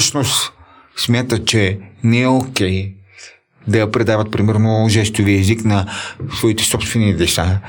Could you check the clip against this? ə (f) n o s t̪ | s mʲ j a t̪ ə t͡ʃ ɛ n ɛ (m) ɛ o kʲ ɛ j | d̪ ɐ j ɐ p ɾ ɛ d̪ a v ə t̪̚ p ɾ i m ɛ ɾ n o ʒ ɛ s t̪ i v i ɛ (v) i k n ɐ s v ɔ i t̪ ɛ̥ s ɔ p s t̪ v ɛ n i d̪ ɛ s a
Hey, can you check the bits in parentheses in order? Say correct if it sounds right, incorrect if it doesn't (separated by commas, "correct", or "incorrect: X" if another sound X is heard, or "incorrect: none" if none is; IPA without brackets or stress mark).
incorrect: ʃ, incorrect: none, incorrect: z